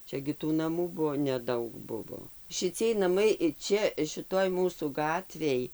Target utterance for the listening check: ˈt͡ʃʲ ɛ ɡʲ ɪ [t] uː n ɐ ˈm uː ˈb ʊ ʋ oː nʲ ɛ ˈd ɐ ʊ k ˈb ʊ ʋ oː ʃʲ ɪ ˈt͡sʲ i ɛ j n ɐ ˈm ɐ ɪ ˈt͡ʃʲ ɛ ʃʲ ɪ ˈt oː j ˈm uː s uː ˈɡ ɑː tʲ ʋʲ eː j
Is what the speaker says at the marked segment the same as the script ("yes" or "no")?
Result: yes